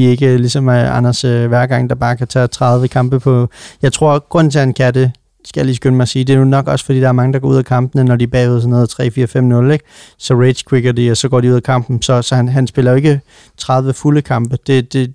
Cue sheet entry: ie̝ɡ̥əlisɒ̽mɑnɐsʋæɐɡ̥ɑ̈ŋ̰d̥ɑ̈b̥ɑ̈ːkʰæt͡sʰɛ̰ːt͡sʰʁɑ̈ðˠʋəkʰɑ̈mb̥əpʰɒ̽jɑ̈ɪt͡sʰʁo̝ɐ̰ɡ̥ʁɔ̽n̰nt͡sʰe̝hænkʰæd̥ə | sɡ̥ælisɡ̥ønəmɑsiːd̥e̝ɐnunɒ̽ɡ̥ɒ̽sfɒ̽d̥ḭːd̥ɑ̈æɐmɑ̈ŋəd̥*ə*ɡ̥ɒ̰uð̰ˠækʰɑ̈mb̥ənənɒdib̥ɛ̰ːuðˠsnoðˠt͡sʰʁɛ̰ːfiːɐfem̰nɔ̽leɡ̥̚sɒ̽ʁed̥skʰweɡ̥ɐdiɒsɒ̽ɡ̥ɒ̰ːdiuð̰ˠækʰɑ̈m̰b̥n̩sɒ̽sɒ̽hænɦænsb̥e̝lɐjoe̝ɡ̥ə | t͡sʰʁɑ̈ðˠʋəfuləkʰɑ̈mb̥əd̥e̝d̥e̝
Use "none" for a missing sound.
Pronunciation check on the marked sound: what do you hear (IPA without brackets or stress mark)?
ɑ